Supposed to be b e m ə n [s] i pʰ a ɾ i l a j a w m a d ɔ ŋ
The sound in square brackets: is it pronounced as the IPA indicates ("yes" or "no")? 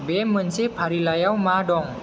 yes